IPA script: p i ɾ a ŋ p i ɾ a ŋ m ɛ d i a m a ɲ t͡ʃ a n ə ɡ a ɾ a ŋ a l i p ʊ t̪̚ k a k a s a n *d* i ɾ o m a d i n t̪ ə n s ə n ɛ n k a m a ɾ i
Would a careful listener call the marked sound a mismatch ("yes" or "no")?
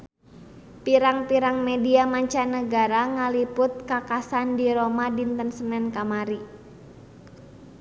no